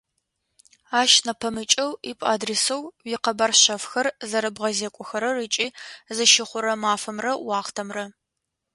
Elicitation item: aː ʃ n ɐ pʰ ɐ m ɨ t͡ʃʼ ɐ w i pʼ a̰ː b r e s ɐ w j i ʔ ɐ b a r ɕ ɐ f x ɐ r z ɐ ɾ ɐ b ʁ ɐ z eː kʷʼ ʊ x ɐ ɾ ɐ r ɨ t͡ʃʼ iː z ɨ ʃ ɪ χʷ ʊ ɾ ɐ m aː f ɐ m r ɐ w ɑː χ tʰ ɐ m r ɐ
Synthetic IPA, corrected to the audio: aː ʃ n ɐ pʰ ɐ m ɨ t͡ʃʼ ɐ w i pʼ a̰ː d r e s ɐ w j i q ɐ b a r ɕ ɐ f x ɐ r z ɐ ɾ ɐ b ʁ ɐ z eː kʷʼ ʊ x ɐ ɾ ɐ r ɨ t͡ʃʼ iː z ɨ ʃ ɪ χʷ ʊ ɾ ɐ m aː f ɐ m r ɐ w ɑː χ tʰ ɐ m r ɐ